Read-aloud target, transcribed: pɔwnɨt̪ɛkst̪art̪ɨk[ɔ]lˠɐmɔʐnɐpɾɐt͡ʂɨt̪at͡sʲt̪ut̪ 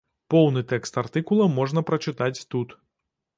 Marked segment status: incorrect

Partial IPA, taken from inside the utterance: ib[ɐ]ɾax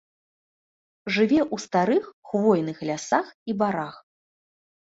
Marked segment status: incorrect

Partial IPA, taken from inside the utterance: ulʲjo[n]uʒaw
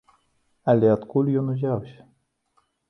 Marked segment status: correct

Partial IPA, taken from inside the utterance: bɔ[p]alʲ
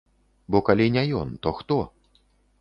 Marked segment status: incorrect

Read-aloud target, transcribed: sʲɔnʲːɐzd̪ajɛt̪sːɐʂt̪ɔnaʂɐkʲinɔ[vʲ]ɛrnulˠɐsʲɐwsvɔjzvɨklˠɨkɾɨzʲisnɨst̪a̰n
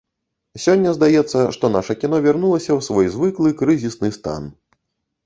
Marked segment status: correct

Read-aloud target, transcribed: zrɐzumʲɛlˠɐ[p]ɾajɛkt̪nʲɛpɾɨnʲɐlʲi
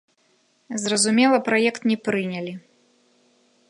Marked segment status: correct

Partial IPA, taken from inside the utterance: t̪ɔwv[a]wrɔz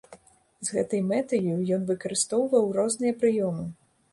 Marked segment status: incorrect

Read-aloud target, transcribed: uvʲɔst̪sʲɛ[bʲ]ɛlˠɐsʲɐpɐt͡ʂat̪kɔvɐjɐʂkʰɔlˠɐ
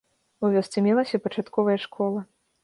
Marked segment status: incorrect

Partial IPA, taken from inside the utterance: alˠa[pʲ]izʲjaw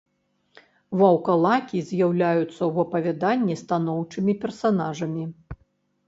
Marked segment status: incorrect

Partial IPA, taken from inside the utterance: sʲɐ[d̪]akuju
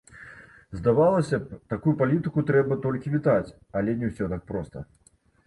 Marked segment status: incorrect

